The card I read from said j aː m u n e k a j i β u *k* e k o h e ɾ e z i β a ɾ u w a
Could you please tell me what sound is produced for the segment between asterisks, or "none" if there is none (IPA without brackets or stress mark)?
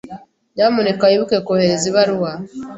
k